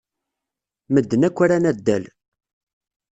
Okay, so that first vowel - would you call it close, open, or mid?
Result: mid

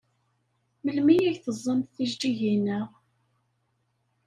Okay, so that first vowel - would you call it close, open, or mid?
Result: mid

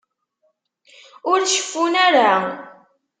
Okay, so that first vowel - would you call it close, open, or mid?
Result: close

